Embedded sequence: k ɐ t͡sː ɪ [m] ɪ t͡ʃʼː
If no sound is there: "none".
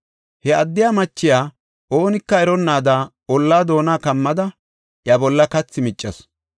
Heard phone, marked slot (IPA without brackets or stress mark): m